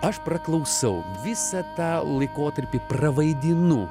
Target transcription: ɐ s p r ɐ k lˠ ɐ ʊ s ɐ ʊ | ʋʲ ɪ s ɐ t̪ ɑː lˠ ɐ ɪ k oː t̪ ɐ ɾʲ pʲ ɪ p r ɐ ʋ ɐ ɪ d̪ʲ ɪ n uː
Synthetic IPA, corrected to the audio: ɐ ʃ p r ɐ k lˠ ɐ ʊ s ɐ ʊ | ʋʲ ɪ s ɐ t̪ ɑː lˠ ɐ ɪ k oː t̪ ɐ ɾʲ pʲ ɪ p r ɐ ʋ ɐ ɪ d̪ʲ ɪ n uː